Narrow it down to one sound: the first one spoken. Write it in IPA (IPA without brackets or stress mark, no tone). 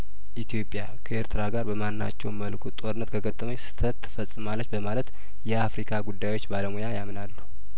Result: ʔ